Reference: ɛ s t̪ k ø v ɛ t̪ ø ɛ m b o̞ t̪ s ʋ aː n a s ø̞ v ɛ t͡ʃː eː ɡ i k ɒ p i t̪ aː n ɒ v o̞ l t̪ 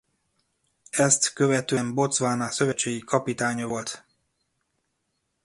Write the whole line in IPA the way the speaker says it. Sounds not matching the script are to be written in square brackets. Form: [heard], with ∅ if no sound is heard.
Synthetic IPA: ɛ s t̪ k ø v ɛ t̪ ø ɛ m b o̞ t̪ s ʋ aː n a s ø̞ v ɛ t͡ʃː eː ɡ i k ɒ p i t̪ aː [ɲ] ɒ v o̞ l t̪